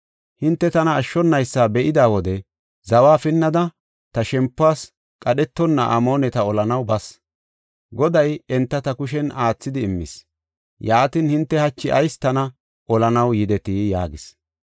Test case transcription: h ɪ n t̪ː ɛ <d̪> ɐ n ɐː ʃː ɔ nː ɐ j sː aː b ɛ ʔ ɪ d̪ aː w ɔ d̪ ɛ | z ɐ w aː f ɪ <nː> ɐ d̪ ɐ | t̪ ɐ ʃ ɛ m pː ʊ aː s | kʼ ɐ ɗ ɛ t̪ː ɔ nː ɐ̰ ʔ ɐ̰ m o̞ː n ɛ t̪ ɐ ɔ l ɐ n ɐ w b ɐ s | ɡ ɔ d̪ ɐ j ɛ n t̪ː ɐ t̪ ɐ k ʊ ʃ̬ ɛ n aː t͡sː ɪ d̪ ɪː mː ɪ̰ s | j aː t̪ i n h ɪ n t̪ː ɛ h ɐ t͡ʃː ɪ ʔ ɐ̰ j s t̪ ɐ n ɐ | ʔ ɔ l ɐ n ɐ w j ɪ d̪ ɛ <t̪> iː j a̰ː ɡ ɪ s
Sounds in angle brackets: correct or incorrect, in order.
incorrect, correct, correct

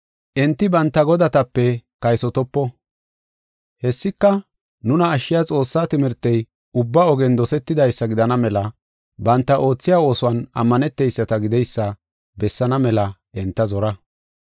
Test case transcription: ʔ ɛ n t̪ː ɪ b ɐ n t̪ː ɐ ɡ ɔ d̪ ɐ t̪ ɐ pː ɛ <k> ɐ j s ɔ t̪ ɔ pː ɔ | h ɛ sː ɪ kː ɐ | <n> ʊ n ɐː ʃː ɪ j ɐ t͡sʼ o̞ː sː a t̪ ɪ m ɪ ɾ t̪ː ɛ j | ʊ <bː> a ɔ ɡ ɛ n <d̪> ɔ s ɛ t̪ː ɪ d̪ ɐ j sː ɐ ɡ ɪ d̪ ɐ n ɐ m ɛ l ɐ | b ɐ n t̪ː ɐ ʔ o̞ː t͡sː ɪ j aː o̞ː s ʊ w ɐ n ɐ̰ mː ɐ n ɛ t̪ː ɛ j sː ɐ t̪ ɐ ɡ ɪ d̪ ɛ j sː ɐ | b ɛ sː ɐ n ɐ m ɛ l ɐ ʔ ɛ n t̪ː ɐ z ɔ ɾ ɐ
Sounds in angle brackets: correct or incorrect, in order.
correct, correct, correct, correct

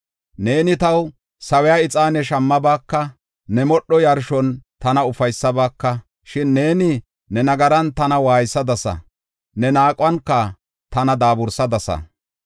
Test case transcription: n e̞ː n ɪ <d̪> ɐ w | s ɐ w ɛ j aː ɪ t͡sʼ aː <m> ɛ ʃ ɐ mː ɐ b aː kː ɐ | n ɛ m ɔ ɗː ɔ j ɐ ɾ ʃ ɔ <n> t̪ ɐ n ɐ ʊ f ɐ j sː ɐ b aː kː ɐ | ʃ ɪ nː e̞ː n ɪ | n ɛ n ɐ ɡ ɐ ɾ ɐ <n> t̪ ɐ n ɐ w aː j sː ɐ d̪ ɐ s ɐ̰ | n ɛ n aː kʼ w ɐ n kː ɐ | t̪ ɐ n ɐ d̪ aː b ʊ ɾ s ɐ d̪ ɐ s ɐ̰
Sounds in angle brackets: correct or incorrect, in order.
incorrect, incorrect, correct, correct

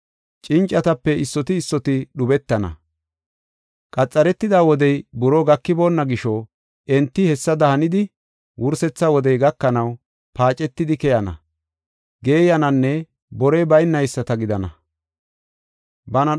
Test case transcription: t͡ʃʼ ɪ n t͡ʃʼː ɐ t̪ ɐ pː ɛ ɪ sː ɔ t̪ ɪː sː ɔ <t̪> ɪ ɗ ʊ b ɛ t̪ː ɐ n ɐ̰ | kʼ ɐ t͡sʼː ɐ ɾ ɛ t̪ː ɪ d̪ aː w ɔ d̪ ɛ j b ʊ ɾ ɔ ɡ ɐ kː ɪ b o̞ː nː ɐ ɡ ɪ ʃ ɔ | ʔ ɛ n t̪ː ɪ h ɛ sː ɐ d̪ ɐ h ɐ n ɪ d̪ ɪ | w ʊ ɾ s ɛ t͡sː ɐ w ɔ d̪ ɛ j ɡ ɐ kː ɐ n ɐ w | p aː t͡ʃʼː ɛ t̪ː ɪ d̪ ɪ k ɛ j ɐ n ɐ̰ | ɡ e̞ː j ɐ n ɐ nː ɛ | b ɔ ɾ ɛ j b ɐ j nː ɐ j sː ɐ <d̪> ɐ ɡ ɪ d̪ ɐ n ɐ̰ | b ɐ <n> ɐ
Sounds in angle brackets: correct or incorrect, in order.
correct, incorrect, correct

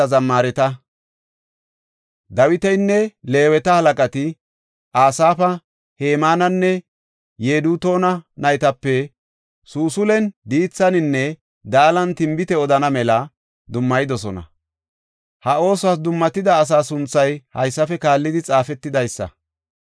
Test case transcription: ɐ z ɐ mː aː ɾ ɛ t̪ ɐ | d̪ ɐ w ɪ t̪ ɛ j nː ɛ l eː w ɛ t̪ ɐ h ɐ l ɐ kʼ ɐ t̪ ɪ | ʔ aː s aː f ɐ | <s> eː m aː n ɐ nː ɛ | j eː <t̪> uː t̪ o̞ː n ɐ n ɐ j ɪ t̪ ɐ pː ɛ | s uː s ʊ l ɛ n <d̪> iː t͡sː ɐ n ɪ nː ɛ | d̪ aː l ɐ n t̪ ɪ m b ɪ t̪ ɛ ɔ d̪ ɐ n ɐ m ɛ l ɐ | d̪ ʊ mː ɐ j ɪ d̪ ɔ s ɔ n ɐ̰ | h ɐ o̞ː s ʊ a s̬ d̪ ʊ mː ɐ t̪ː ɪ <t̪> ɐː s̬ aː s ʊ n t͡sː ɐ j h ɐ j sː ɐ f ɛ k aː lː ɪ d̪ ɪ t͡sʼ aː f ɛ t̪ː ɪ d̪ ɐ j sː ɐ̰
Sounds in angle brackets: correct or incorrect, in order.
incorrect, incorrect, correct, incorrect

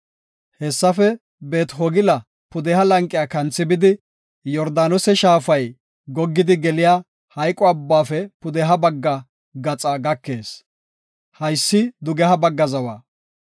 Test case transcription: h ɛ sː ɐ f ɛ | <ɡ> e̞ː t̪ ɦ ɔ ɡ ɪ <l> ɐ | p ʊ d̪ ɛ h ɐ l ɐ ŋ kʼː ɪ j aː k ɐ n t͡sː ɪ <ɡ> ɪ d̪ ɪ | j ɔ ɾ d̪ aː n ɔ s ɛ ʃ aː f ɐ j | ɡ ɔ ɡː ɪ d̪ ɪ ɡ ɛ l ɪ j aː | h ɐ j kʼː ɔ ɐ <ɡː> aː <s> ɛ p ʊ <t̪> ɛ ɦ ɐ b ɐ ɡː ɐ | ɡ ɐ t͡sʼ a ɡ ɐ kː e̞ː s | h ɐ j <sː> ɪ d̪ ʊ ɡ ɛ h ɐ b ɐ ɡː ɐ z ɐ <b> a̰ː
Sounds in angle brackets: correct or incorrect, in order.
incorrect, correct, incorrect, incorrect, incorrect, incorrect, correct, incorrect

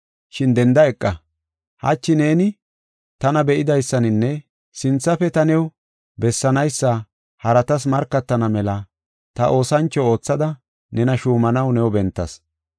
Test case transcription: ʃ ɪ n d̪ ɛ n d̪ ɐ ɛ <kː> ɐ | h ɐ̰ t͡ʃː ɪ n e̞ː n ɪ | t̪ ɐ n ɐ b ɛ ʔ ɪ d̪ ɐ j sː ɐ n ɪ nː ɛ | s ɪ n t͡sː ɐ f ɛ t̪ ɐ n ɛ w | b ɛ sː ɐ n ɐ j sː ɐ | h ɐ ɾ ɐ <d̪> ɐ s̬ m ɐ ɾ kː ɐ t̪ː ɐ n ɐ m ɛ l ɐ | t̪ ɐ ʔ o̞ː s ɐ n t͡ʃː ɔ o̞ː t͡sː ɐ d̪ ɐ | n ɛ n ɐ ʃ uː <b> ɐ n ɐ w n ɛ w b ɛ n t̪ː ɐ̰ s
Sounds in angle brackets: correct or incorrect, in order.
incorrect, incorrect, incorrect

